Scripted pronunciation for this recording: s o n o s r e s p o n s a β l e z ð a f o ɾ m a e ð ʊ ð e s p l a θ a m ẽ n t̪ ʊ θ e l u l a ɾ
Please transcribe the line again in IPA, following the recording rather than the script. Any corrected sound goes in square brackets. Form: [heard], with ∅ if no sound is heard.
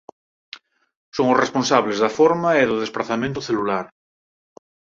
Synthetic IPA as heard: s o [ŋ] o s r e s p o n s a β l e z ð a f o ɾ m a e ð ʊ ð e s p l a θ a m ẽ n t̪ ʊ θ e l u l a ɾ